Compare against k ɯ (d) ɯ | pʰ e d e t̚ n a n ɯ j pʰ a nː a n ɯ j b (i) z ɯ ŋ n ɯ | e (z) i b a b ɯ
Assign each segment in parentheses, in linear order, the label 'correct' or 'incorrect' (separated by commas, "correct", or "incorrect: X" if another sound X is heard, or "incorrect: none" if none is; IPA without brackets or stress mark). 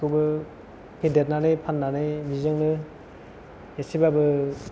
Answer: incorrect: b, correct, incorrect: s